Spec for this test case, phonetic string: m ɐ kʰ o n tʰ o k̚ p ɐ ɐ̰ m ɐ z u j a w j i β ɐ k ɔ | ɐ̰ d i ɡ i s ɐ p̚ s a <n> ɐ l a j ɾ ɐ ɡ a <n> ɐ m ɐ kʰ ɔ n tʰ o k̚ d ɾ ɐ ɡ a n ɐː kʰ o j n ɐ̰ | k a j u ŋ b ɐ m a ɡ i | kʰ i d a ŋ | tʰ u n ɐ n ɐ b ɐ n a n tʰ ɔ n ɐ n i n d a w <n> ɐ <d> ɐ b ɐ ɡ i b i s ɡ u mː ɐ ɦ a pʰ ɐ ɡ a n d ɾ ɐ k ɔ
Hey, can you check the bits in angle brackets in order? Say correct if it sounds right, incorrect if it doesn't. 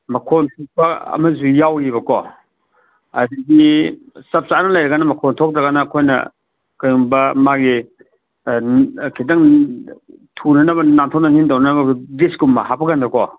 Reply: correct, correct, correct, incorrect: n

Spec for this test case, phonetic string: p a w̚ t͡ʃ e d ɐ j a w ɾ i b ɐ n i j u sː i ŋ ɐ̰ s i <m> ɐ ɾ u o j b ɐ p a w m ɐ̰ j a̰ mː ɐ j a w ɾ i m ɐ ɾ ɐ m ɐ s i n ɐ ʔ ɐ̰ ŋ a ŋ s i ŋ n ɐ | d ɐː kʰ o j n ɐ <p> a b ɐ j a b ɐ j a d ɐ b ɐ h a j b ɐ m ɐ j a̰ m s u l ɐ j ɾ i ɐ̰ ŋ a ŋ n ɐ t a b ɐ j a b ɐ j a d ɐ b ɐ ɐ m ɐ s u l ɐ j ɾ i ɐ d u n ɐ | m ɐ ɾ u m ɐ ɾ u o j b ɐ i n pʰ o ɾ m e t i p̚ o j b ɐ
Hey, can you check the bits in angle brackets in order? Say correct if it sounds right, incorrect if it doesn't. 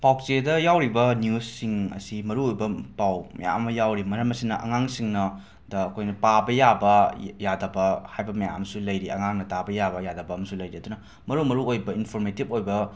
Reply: correct, correct

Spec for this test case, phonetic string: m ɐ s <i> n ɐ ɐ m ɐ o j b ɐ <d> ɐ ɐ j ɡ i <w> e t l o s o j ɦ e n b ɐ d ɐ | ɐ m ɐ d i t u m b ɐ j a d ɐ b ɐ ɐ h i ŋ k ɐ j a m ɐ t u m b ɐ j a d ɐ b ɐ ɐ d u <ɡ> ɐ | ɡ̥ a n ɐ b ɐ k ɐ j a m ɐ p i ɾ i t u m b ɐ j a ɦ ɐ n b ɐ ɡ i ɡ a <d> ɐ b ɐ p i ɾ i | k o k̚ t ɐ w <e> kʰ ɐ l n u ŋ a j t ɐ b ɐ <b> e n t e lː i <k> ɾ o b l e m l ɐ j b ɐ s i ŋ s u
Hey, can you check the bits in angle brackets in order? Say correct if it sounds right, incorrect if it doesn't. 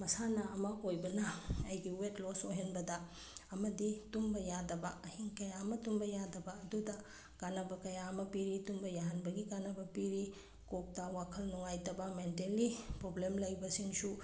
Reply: incorrect: a, incorrect: n, correct, incorrect: d, incorrect: n, incorrect: a, incorrect: m, incorrect: p

